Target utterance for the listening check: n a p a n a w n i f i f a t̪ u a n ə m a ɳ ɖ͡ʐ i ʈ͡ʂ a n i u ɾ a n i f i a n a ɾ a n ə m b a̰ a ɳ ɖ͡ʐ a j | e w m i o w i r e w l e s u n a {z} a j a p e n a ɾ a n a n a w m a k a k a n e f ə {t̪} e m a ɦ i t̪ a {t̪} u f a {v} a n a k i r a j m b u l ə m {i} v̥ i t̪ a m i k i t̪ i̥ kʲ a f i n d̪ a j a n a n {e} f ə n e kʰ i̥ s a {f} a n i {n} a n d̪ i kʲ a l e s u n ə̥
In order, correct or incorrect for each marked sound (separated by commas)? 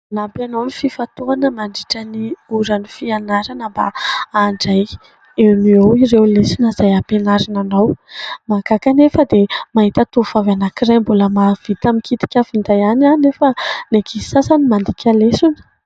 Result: correct, incorrect, correct, correct, incorrect, correct, incorrect, incorrect